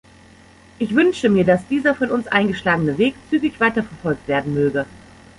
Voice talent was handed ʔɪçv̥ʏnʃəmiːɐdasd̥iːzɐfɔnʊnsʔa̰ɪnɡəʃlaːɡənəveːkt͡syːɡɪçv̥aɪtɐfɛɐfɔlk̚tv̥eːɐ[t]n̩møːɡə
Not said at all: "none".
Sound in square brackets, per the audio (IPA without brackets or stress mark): d